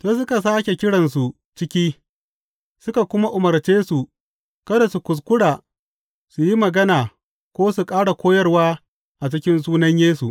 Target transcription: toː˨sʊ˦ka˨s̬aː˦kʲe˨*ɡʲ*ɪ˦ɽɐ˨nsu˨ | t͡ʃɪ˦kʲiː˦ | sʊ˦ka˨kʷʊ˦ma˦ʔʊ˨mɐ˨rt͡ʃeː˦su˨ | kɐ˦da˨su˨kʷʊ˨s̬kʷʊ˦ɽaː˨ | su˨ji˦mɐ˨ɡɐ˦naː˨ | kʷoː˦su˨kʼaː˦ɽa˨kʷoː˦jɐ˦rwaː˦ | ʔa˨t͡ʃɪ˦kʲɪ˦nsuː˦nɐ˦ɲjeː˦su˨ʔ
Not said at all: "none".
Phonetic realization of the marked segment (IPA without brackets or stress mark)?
kʲ